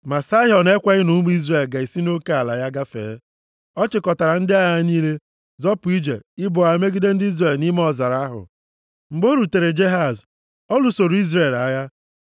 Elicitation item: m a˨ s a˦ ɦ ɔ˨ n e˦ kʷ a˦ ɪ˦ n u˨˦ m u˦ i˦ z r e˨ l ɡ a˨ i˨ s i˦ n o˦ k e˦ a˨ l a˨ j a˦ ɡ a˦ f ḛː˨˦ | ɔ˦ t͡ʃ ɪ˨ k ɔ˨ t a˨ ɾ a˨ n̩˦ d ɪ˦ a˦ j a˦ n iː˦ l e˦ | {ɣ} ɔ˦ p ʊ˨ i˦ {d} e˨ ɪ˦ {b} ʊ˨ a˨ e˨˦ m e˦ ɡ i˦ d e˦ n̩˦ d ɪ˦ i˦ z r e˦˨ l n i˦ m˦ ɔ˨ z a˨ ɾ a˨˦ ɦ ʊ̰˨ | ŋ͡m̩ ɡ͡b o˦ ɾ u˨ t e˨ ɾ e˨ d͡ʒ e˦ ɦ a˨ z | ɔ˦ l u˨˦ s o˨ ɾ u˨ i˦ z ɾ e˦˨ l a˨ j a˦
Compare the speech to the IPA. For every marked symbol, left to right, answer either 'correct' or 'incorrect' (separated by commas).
incorrect, incorrect, correct